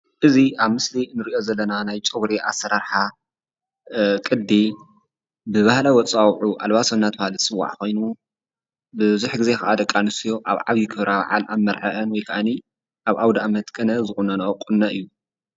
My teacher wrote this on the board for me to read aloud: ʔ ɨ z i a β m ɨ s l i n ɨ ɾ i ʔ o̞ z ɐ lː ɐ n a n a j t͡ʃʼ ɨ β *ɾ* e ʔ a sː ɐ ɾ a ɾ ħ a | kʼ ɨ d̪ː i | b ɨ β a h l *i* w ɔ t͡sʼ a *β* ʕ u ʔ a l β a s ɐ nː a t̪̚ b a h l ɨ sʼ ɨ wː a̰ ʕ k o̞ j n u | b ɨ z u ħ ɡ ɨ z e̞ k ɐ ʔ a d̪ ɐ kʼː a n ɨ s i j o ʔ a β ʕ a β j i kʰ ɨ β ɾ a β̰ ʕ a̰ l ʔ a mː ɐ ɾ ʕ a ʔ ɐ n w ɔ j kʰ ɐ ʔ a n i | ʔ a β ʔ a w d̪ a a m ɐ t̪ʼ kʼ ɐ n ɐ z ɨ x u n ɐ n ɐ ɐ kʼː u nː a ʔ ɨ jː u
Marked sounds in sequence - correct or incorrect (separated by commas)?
correct, incorrect, incorrect